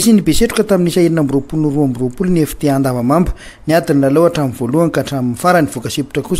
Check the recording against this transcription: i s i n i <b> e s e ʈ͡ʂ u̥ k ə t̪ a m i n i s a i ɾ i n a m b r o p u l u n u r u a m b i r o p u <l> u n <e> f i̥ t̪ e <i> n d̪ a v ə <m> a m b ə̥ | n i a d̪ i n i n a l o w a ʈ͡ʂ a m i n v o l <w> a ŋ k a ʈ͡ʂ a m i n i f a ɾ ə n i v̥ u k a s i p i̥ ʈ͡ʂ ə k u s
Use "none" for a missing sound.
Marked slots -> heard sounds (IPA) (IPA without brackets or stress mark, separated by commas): b, l, e, a, m, u